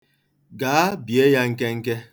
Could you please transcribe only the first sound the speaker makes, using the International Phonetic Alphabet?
ɡ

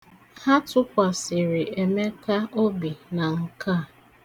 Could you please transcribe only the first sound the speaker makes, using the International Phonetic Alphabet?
h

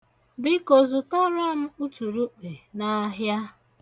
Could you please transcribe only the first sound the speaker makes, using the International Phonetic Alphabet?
b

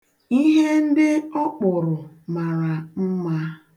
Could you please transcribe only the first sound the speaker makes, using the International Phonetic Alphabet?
i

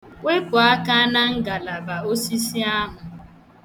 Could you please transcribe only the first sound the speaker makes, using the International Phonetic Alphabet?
w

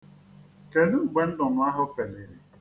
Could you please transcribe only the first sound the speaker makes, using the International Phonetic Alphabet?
k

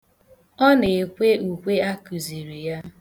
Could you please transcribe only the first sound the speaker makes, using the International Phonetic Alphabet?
ɔ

